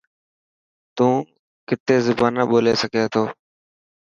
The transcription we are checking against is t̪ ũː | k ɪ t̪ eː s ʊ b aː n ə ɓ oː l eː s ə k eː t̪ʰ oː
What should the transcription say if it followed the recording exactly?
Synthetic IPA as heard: t̪ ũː | k ɪ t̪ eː z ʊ b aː n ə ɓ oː l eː s ə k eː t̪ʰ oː